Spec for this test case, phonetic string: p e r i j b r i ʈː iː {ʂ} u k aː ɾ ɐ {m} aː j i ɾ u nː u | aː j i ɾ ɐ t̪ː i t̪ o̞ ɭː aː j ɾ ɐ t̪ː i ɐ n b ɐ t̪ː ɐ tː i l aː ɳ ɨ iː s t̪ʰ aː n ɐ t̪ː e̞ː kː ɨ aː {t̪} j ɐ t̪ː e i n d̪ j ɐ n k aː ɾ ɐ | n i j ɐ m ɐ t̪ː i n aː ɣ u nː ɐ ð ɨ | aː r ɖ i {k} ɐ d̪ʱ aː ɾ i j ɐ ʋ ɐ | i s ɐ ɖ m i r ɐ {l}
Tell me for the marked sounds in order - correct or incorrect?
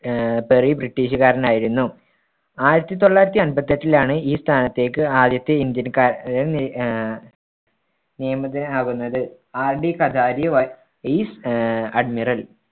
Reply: incorrect: ɕ, incorrect: n, incorrect: d̪, correct, correct

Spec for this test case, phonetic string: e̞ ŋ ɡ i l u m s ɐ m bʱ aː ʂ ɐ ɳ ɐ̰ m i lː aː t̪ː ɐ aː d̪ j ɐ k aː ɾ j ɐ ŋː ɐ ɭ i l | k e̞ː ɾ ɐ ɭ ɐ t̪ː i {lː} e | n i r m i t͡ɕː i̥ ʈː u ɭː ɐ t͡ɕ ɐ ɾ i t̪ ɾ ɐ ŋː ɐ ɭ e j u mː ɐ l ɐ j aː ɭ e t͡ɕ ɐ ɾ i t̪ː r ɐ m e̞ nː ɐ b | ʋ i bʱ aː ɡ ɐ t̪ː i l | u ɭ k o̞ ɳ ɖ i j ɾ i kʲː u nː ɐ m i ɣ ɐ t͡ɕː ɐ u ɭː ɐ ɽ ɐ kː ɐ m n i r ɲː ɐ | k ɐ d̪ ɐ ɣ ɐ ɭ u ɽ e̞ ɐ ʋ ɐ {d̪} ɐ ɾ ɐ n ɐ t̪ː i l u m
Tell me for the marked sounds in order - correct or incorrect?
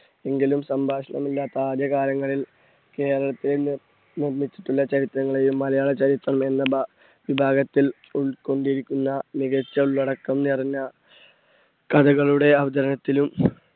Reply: incorrect: l, correct

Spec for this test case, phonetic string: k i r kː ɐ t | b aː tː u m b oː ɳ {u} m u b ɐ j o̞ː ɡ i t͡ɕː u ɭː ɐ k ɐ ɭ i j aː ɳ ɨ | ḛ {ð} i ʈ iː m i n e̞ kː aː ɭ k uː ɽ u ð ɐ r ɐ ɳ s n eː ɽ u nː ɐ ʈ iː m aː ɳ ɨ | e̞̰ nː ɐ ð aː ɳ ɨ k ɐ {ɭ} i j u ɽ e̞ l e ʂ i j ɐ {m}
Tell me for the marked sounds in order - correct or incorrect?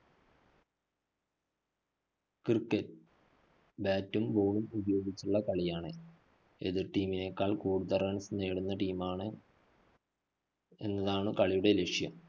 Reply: correct, correct, correct, correct

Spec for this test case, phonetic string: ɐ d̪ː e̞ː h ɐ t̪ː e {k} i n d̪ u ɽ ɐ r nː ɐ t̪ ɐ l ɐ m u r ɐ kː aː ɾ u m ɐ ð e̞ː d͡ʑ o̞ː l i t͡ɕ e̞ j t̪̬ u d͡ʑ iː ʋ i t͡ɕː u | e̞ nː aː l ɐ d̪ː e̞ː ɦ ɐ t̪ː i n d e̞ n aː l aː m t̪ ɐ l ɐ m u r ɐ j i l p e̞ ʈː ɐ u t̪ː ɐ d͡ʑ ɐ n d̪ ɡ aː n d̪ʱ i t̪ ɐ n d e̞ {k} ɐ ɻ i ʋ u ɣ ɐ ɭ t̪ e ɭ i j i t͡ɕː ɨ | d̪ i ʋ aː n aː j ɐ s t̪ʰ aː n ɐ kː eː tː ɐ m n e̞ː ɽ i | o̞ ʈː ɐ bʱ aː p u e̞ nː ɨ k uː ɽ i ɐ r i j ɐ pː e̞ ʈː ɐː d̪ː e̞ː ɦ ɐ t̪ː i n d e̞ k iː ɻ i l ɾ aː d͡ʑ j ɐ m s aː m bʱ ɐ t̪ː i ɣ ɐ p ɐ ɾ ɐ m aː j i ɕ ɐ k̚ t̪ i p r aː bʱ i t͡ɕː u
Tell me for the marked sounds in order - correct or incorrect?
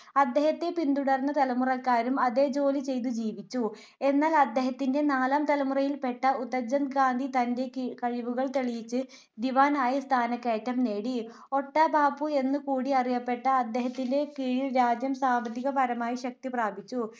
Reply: incorrect: p, correct

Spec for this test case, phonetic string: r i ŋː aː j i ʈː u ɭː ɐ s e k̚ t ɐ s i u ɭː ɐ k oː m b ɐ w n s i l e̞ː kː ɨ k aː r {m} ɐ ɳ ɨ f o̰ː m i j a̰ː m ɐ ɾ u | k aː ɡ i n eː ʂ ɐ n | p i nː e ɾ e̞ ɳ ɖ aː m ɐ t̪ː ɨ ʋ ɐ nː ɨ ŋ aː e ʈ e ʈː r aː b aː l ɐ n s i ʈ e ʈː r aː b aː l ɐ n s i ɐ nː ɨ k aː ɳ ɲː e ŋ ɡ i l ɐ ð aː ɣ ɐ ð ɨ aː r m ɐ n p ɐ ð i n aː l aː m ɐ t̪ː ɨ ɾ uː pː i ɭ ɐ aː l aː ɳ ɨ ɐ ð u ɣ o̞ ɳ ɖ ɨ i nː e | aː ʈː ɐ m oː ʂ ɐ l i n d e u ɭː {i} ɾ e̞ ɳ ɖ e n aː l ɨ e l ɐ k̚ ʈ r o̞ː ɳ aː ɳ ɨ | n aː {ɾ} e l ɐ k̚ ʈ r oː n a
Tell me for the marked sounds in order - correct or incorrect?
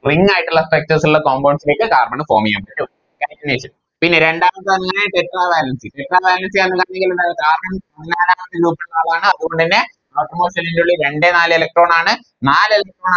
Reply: correct, correct, incorrect: l

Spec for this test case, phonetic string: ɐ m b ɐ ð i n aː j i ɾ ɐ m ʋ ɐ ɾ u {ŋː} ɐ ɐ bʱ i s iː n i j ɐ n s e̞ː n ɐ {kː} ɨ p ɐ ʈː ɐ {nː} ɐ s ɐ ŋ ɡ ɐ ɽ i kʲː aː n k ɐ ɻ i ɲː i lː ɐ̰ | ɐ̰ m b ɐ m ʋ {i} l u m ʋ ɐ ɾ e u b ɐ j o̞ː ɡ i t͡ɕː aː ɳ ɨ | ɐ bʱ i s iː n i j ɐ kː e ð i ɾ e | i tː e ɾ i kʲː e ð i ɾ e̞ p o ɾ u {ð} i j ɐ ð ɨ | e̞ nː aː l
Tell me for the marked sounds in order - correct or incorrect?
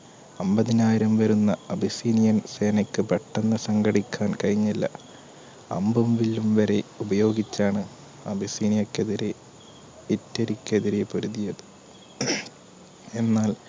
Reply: incorrect: nː, correct, correct, correct, correct

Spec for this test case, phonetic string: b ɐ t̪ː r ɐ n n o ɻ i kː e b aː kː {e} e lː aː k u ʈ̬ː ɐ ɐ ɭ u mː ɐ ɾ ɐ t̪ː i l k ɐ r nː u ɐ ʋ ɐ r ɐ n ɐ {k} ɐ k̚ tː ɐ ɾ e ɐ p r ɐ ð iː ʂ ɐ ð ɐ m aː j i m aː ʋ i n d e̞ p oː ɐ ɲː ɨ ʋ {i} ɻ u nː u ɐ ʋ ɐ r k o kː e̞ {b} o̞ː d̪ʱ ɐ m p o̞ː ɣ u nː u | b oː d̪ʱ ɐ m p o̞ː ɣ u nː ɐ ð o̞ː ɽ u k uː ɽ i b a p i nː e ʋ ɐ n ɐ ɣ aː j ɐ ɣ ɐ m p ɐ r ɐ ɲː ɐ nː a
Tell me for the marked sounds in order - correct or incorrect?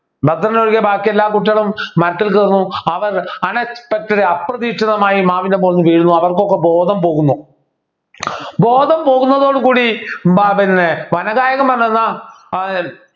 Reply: incorrect: i, incorrect: p, incorrect: iː, correct

